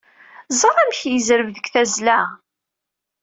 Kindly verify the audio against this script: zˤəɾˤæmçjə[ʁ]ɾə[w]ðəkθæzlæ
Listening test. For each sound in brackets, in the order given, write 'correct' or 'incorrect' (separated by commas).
incorrect, incorrect